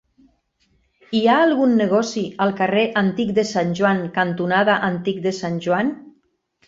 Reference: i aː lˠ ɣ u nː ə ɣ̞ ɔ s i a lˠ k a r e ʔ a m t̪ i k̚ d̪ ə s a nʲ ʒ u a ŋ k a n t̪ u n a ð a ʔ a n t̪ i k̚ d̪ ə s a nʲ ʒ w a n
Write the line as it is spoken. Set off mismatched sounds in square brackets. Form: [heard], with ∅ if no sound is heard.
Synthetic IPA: i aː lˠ ɣ u nː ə ɣ̞ ɔ s i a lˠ k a r e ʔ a [n] t̪ i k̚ d̪ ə s a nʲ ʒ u a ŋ k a n t̪ u n a ð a ʔ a n t̪ i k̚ d̪ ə s a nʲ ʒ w a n